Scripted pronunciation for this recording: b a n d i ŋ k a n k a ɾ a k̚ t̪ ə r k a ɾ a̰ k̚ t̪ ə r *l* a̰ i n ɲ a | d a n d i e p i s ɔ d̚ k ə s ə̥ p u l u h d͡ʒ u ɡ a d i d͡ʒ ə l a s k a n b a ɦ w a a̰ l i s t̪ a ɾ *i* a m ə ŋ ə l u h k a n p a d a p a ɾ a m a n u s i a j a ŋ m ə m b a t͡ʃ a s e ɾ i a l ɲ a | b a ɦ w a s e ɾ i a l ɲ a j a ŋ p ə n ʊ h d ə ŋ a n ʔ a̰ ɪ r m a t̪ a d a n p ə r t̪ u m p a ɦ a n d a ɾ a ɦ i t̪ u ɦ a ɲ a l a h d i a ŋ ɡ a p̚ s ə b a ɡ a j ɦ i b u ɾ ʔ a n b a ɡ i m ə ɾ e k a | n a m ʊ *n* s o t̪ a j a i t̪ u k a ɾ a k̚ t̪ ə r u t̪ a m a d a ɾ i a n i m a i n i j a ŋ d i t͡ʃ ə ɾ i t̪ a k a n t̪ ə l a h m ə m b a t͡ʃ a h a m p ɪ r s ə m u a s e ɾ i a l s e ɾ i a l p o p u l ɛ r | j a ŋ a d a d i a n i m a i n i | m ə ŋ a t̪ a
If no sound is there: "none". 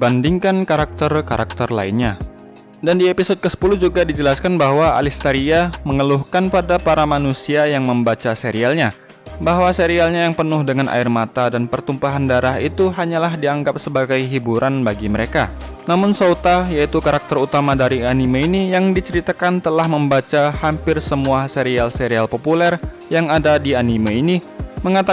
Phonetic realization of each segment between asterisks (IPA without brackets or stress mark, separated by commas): l, i, n